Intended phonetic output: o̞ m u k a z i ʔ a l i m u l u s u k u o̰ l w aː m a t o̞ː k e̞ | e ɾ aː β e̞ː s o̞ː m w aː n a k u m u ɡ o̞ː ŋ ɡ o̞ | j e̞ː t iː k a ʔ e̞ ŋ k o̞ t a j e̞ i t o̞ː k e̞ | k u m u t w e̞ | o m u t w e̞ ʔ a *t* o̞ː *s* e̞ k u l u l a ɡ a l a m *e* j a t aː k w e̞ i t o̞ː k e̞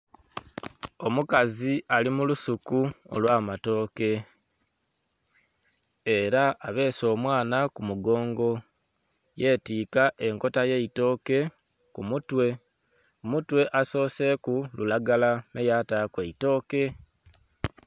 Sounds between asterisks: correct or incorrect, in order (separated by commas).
incorrect, correct, correct